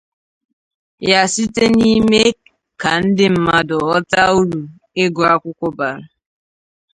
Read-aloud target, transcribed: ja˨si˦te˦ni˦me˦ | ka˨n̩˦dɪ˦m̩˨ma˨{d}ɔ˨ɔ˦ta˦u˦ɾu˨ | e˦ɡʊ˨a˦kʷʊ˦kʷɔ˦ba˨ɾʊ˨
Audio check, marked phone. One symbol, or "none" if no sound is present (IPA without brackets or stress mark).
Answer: d